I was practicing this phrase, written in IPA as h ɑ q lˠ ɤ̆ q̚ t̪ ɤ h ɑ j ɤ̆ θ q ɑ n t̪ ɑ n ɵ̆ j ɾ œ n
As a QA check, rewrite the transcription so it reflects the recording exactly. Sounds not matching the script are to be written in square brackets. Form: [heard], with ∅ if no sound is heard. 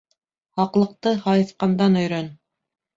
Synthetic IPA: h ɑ q lˠ ɤ̆ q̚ t̪ ɤ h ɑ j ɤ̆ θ q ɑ n [d̪] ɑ n ɵ̆ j ɾ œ n